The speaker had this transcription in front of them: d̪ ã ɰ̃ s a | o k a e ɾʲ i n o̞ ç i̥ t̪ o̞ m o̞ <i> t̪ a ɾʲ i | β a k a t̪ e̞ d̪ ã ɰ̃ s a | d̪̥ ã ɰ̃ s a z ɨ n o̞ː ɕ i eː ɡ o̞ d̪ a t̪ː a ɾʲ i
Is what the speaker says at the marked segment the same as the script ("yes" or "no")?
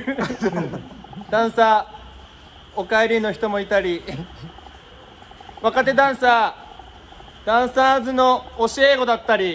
yes